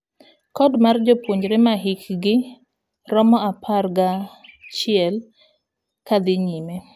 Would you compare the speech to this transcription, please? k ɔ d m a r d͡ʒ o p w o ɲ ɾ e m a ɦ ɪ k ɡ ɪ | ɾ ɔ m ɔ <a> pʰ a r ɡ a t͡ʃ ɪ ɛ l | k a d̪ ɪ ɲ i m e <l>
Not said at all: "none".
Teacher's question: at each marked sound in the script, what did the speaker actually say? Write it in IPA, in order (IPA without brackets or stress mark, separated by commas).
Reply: a, none